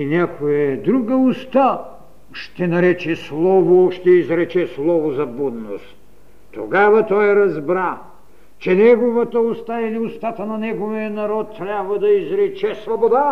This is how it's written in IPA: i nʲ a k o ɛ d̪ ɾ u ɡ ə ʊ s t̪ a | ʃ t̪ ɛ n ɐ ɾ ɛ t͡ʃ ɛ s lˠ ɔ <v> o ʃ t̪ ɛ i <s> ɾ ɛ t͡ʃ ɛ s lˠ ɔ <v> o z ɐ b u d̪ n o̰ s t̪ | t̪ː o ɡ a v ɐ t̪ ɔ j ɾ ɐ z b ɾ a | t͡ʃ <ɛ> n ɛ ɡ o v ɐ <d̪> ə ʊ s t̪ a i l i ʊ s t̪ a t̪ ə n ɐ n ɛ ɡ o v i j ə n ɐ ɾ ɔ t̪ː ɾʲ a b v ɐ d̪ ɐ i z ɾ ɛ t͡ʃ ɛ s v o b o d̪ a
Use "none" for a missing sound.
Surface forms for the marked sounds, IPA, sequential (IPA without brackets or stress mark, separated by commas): v, z, v, ɛ, t̪